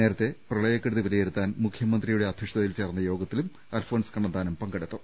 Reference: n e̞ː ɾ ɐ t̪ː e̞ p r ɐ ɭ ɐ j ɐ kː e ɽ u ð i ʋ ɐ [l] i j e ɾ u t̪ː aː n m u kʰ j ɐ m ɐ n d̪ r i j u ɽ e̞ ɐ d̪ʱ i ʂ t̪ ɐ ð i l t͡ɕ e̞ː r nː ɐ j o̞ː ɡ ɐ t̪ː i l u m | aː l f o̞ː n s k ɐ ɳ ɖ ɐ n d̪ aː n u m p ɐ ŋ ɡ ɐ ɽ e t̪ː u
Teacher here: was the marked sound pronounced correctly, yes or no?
yes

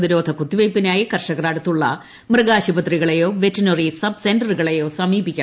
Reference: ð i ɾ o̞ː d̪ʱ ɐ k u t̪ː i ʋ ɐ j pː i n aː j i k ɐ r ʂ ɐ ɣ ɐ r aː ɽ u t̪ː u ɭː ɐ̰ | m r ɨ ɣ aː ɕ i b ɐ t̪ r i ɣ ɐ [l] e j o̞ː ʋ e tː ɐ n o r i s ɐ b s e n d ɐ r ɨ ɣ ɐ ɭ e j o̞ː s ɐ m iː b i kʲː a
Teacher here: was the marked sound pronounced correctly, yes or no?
no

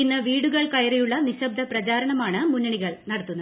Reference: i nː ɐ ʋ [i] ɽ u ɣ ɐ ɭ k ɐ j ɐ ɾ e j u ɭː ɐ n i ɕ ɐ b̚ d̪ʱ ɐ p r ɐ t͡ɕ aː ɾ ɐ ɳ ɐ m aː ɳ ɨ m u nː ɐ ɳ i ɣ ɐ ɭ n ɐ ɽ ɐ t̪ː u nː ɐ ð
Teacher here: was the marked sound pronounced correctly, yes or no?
no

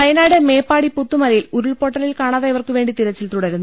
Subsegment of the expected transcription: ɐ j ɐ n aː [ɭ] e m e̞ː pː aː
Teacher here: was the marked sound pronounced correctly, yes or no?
no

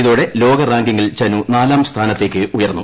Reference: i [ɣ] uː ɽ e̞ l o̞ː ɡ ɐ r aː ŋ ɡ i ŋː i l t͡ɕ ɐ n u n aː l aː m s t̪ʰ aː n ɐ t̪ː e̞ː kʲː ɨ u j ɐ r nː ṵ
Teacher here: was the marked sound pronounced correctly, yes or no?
no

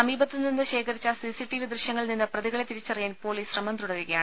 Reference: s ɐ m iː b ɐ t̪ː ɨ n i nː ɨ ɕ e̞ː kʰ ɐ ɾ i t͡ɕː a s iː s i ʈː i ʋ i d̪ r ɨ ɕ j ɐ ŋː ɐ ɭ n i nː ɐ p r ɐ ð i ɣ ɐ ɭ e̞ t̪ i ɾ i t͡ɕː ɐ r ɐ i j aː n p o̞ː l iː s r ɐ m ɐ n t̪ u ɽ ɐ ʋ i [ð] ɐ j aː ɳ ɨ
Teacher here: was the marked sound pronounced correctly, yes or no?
no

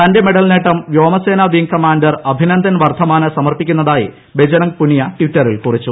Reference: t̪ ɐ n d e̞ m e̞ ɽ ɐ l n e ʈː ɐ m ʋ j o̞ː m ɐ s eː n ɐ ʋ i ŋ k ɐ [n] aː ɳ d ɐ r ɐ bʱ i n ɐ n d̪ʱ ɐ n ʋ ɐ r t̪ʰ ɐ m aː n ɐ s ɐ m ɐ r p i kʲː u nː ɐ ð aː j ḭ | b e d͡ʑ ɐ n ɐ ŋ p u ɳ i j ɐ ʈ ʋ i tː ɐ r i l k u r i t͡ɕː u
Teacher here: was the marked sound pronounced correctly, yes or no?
no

